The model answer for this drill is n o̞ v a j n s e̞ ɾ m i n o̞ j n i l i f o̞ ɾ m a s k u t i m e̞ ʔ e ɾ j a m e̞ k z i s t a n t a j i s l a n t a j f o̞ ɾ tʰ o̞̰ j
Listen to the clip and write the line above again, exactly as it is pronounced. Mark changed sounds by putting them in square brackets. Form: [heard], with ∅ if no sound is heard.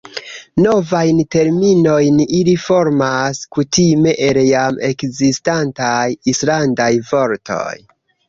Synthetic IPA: n o̞ v a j n [t] e̞ ɾ m i n o̞ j n i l i f o̞ ɾ m a s k u t i m e̞ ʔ e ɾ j a m e̞ k z i s t a n t a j i s l a n [d] a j [v] o̞ ɾ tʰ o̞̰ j